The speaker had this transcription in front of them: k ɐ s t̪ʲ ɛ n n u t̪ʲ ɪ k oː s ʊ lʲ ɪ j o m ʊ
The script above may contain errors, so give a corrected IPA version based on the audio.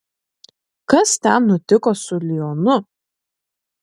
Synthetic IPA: k ɐ s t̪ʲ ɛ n n ʊ t̪ʲ ɪ k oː s ʊ lʲ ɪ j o n ʊ